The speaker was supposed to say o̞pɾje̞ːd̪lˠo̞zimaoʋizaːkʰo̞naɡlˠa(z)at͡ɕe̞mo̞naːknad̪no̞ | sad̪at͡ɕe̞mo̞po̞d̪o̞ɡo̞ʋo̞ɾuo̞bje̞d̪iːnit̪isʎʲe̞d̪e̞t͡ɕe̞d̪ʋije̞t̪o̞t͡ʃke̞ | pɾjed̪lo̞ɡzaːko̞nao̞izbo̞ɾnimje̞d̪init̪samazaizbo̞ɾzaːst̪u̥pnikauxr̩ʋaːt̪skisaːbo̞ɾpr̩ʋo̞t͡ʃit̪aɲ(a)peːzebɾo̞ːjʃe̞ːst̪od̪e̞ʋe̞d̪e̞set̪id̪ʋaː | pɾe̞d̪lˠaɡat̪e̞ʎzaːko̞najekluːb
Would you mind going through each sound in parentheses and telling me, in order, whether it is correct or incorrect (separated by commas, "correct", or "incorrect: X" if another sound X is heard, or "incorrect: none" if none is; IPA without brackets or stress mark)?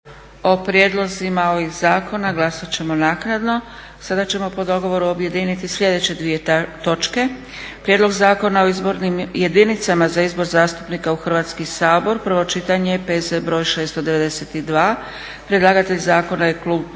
incorrect: s, incorrect: e